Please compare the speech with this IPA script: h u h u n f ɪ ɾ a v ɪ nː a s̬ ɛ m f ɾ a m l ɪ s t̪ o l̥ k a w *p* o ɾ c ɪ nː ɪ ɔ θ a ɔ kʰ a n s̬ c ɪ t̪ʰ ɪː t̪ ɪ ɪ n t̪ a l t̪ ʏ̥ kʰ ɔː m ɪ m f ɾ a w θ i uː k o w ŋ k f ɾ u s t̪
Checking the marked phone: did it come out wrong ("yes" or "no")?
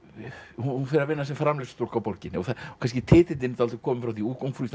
no